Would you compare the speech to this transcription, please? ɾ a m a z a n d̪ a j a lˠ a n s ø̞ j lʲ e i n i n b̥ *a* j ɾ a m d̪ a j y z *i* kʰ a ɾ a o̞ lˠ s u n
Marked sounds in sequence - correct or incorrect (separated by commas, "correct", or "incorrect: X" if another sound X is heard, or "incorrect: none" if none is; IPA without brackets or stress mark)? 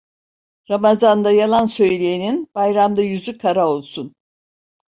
correct, incorrect: y